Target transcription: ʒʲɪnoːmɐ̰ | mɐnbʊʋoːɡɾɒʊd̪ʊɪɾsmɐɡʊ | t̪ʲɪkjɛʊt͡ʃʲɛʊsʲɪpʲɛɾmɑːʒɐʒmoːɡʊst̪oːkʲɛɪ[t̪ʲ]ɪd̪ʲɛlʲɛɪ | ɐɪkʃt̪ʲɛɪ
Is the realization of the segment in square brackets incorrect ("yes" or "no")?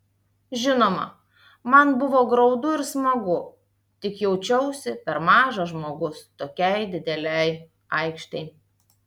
yes